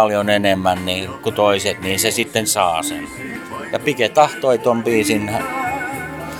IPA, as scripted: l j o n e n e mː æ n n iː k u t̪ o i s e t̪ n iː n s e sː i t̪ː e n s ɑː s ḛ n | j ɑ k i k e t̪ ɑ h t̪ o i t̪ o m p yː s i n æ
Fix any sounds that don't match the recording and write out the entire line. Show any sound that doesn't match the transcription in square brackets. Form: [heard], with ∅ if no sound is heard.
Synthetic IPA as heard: l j o n e n e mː æ n n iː k u t̪ o i s e t̪ n iː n s e [s] i t̪ː e n s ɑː s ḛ n | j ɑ [p] i k e t̪ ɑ h t̪ o i t̪ o m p [iː] s i n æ